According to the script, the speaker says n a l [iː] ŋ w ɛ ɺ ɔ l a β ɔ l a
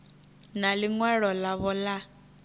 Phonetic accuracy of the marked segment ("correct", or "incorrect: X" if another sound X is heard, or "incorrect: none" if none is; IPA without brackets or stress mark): incorrect: i